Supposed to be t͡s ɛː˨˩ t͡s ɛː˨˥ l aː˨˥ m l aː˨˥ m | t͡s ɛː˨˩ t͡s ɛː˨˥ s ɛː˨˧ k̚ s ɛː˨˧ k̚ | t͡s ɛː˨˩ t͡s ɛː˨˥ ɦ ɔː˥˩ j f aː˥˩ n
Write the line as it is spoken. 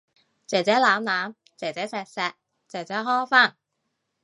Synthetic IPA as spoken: t͡s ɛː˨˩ t͡s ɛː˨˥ l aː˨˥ m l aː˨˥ m | t͡s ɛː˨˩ t͡s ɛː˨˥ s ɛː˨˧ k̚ s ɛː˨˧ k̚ | t͡s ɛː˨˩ t͡s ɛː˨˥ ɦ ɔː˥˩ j f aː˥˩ n